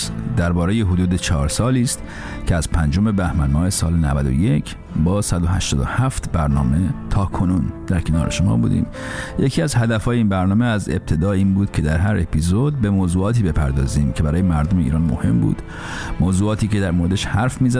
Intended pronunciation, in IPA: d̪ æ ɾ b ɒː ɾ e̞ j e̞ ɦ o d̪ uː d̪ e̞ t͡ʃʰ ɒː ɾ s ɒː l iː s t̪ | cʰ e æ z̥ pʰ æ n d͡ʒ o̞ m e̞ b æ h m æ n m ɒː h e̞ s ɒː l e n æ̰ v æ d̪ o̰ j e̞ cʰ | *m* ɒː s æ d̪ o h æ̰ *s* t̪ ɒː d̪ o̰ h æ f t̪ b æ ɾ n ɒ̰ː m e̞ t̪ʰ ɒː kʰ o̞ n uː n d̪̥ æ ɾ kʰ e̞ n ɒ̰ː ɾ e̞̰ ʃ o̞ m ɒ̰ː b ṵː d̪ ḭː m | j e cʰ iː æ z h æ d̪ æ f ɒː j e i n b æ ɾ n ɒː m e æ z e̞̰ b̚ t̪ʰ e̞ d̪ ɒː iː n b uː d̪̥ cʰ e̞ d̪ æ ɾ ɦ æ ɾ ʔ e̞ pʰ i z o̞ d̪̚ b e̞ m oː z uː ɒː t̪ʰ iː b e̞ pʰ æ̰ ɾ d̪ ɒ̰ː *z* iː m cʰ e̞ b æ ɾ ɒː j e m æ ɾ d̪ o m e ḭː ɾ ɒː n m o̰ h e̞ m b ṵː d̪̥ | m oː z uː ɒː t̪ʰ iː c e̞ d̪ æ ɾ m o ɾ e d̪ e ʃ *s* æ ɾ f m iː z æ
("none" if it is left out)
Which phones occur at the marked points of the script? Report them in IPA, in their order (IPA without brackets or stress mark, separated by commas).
b, ʃ, z, h